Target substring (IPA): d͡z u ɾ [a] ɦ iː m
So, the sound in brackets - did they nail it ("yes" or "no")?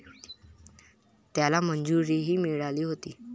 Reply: no